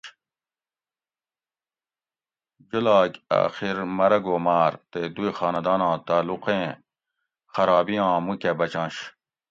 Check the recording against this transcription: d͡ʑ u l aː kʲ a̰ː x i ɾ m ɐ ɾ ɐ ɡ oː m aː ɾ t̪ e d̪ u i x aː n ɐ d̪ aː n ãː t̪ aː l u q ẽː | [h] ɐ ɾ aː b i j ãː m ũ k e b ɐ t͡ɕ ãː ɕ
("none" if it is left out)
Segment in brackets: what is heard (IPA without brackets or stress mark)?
x